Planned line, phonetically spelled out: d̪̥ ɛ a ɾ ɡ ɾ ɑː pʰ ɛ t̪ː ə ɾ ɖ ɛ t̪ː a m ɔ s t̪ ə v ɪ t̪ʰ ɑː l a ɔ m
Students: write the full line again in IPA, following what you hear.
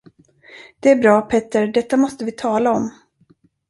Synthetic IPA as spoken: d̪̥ ɛ æ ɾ b ɾ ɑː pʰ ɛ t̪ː ə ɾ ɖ ɛ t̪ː a m ɔ s t̪ ə v ɪ t̪ʰ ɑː l a ɔ m